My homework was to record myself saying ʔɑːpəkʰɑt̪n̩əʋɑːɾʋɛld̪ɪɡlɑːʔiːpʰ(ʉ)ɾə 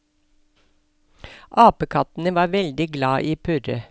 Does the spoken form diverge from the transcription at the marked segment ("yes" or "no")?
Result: no